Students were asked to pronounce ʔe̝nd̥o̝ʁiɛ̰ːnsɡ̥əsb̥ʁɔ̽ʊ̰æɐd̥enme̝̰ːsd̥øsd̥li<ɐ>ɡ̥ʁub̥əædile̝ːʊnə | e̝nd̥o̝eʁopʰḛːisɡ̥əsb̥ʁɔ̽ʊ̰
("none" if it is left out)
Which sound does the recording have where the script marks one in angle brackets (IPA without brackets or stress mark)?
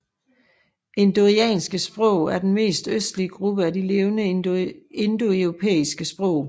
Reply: ə